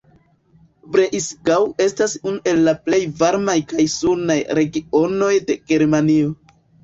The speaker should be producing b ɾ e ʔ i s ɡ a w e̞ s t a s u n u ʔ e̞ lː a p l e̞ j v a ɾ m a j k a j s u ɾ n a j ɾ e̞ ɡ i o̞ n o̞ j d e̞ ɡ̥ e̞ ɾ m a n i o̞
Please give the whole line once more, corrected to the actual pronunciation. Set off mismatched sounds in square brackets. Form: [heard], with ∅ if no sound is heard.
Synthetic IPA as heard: b ɾ e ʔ i s ɡ a w e̞ s t a s u n u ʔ e̞ lː a p l e̞ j v a ɾ m a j k a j s u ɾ n a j ɾ e̞ ɡ i o̞ n o̞ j d e̞ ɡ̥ e̞ ɾ m a n i o̞